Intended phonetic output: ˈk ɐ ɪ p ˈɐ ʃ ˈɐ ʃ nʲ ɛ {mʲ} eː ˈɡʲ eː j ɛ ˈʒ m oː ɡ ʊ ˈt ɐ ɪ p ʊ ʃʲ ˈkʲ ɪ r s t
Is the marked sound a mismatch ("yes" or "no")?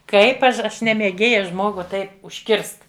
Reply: no